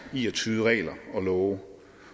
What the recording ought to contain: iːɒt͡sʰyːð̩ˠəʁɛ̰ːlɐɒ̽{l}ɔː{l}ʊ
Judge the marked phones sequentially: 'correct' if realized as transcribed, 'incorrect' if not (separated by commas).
correct, incorrect